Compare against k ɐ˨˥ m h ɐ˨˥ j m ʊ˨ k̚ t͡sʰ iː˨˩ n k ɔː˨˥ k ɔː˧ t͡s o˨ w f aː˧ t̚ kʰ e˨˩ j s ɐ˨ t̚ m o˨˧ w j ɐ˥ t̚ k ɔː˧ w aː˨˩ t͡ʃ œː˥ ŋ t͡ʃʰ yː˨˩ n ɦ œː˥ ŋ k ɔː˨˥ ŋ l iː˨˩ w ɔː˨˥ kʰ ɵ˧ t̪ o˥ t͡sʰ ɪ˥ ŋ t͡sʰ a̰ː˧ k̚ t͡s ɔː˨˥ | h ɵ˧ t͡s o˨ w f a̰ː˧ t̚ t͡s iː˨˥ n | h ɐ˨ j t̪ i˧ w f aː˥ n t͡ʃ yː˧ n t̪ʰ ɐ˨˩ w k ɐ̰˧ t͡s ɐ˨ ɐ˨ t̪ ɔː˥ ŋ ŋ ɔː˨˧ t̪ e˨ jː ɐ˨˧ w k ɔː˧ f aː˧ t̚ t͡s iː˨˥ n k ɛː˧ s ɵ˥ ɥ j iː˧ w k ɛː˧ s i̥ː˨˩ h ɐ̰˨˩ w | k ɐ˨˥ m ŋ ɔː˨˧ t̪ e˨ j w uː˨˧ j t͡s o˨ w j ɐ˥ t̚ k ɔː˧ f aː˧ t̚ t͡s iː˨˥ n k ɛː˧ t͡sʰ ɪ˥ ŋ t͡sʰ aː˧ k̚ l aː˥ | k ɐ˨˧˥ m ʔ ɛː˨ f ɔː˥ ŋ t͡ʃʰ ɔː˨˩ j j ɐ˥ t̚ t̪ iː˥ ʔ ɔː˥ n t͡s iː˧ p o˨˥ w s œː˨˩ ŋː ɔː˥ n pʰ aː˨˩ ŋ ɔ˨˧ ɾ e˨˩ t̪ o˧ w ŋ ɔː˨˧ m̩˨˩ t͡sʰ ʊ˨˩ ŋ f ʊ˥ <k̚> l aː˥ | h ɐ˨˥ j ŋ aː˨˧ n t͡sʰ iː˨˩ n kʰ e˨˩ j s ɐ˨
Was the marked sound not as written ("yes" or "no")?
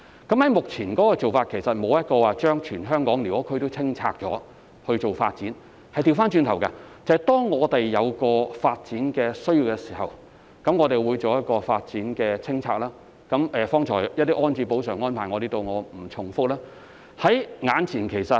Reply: no